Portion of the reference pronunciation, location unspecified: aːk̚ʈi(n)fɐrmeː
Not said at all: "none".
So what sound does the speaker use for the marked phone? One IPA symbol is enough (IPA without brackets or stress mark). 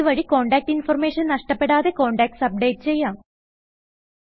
n